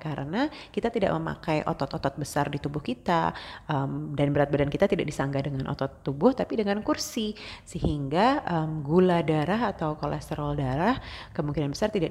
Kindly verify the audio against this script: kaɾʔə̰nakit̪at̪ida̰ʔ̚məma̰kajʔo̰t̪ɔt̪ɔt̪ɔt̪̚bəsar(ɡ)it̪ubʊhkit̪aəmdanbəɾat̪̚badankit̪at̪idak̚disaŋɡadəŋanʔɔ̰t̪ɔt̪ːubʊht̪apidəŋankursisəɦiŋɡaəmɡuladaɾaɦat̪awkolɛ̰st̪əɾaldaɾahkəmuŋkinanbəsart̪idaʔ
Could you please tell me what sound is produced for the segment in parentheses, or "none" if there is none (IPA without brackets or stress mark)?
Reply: d